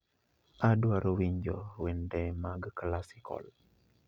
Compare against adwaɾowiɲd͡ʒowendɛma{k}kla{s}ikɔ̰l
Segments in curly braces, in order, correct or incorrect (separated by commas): incorrect, correct